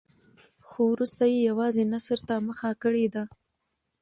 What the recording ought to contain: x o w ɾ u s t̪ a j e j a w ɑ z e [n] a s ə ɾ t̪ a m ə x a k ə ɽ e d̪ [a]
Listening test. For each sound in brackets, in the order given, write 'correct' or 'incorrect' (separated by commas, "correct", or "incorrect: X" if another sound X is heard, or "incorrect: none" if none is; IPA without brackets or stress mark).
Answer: correct, correct